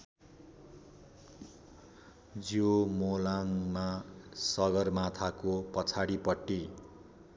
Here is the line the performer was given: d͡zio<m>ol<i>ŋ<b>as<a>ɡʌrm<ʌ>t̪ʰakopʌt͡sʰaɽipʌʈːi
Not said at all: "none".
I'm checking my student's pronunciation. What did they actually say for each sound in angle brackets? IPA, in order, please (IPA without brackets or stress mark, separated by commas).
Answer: m, a, m, ʌ, a